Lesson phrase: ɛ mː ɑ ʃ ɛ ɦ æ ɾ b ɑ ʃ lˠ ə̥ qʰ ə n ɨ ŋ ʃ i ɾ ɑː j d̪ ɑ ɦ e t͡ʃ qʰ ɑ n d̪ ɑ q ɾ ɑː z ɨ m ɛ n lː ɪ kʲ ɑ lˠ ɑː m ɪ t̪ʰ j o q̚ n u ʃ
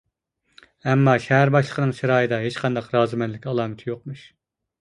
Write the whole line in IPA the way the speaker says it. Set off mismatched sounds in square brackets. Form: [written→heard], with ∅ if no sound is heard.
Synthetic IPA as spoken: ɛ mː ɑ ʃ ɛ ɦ æ ɾ b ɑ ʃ lˠ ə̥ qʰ ə n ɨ ŋ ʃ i ɾ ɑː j d̪ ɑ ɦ e t͡ʃ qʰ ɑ n d̪ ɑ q ɾ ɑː z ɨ m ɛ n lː ɪ kʲ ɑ lˠ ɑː m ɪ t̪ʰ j o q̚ [n→m] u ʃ